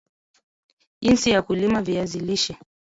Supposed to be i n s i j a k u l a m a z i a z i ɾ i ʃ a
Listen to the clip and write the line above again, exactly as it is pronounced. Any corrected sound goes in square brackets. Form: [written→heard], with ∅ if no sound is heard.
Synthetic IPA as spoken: i n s i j a k u l [a→i] m a [z→v] i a z i [ɾ→l] i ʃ [a→ɛ]